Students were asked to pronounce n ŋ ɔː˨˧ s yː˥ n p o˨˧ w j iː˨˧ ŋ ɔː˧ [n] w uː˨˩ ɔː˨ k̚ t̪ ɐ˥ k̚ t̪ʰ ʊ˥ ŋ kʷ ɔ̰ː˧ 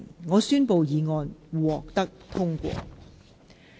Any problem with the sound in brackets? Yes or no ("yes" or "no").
no